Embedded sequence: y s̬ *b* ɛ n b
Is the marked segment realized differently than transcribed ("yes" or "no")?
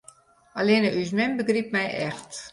yes